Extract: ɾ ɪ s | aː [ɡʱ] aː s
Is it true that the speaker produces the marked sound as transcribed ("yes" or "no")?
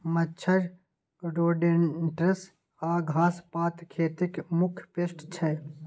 yes